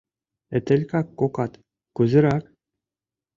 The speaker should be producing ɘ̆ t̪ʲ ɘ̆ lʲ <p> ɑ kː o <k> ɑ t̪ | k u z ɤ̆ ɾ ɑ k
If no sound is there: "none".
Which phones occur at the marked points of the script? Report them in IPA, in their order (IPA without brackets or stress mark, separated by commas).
k, k